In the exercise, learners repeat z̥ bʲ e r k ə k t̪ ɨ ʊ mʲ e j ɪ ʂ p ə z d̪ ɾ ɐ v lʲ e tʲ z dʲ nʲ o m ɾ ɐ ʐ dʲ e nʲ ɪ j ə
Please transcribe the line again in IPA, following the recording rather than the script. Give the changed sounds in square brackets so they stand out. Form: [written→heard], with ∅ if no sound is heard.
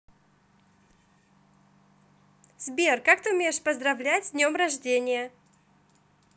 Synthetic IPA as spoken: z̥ bʲ e r k [ə→a] k t̪ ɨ ʊ mʲ e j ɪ ʂ p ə z d̪ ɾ ɐ v lʲ [e→æ] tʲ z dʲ nʲ o m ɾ ɐ ʐ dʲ e nʲ ɪ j ə

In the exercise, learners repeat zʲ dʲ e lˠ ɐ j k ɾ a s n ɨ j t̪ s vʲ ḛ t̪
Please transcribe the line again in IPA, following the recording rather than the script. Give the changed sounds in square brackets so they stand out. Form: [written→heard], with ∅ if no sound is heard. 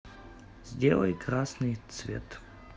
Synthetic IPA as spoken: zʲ dʲ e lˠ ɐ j k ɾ a s n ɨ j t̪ s vʲ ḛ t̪

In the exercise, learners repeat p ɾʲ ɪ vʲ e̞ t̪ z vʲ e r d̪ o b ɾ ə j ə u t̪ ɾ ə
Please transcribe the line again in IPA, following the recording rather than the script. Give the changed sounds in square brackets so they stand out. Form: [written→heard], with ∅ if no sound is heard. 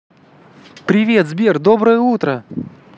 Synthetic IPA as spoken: p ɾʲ ɪ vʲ e̞ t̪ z [vʲ→bʲ] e r d̪ o b ɾ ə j ə u t̪ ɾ ə

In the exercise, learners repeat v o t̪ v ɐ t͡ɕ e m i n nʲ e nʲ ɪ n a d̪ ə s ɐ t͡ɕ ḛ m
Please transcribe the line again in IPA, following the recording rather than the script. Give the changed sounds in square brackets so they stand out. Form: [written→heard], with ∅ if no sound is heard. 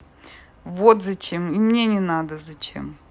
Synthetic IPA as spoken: v o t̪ [v→z] ɐ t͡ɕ e m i [n→m] nʲ e nʲ ɪ n a d̪ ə [s→z] ɐ t͡ɕ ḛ m

